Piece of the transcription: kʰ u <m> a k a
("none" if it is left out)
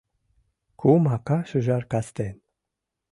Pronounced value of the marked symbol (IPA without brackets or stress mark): m